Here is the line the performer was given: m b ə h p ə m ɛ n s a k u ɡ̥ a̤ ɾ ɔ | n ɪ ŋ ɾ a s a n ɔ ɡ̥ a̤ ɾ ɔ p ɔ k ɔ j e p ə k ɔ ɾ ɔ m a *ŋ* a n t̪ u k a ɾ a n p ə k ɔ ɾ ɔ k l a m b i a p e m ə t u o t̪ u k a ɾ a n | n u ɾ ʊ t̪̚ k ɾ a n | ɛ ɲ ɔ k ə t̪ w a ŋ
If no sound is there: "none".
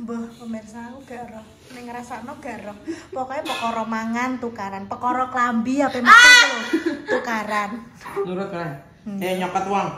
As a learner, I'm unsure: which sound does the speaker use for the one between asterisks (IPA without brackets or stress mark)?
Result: ŋ